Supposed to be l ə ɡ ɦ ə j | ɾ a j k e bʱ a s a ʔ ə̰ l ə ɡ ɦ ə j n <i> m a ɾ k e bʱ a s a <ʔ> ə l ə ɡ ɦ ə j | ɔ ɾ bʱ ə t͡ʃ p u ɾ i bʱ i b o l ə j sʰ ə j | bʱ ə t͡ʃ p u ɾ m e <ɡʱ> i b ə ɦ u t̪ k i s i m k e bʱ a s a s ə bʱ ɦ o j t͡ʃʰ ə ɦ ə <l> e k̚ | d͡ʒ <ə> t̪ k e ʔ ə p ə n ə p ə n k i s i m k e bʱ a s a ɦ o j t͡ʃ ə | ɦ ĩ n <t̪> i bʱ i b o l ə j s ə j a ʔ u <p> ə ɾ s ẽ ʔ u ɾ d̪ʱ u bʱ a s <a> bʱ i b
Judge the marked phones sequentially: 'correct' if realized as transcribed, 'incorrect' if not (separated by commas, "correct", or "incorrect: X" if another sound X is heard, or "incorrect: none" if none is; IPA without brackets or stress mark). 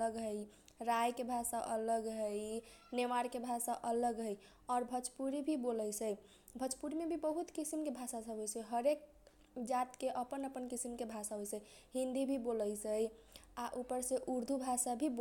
incorrect: e, correct, incorrect: bʱ, incorrect: ɾ, incorrect: a, incorrect: d̪, correct, correct